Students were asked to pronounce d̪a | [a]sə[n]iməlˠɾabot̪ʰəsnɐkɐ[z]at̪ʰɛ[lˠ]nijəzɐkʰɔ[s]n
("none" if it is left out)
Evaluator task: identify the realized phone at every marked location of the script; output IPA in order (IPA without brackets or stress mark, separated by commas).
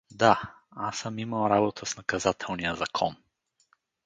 a, m, z, lˠ, none